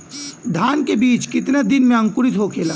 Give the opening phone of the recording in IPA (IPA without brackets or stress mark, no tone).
d̪ʱ